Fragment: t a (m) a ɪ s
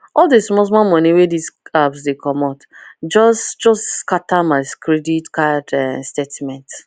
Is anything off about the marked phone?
no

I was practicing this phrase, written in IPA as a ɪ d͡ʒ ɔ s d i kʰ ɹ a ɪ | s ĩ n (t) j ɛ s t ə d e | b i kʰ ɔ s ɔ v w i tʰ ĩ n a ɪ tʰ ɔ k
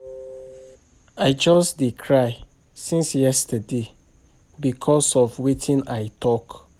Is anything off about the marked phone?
yes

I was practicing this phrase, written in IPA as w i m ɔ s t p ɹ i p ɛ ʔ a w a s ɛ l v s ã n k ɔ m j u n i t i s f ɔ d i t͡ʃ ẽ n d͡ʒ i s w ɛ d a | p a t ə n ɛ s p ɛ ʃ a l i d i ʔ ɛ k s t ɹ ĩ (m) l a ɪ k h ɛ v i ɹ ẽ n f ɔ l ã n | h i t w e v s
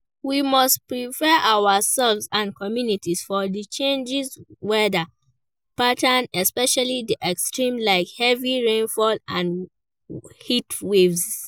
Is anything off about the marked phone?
no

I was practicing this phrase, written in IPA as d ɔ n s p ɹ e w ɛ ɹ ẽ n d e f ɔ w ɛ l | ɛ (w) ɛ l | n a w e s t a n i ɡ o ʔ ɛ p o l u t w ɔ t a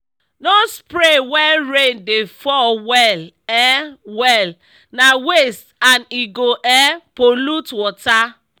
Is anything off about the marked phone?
no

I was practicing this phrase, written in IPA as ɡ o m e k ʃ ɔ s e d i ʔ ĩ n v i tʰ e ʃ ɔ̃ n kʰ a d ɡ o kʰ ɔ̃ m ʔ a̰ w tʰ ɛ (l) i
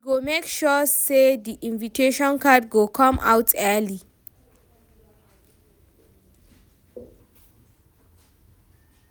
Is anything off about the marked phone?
no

